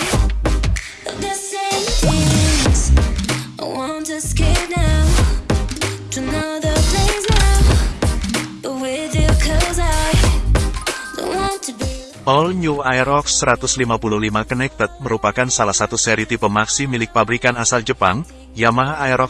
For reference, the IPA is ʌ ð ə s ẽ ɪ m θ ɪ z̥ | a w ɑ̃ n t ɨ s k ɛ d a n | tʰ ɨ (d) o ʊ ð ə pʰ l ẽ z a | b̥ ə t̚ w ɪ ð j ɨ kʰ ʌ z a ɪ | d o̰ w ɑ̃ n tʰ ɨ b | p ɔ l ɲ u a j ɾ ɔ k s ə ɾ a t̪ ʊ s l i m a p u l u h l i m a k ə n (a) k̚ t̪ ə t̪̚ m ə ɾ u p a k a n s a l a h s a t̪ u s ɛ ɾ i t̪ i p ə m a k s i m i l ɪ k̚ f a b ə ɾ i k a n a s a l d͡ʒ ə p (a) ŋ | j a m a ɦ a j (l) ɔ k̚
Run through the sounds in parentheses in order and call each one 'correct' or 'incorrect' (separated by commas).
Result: incorrect, incorrect, correct, incorrect